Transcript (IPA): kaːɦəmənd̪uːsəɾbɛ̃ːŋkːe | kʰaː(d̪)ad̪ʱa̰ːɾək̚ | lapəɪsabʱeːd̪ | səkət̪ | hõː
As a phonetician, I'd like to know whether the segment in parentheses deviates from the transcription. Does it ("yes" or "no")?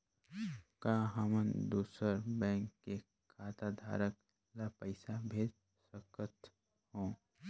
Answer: yes